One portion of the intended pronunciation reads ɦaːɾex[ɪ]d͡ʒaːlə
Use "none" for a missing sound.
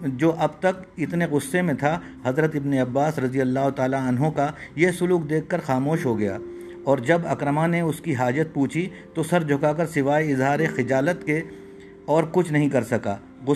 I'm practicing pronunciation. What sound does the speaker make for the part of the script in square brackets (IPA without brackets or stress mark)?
ɪ